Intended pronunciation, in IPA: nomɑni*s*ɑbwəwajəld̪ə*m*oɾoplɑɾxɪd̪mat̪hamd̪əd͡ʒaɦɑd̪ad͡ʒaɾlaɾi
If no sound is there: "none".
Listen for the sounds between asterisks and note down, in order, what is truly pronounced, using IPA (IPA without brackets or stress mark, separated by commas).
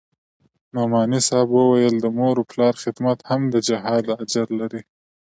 s, m